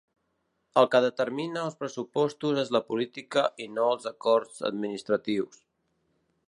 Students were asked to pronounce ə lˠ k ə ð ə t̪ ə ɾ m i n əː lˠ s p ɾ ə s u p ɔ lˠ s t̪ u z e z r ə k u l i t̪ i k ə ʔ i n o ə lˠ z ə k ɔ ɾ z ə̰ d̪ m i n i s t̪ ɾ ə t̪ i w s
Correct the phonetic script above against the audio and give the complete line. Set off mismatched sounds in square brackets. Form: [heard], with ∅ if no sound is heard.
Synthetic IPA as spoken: ə lˠ k ə ð ə t̪ ə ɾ m i n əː lˠ s p ɾ ə s u p ɔ [∅] s t̪ u z e z [l] ə [p] u l i t̪ i k ə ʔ i n o ə lˠ z ə k ɔ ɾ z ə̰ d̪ m i n i s t̪ ɾ ə t̪ i w s